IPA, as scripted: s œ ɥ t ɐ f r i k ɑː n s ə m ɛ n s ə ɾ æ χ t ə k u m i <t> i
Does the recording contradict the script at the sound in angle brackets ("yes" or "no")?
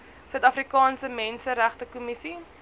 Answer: yes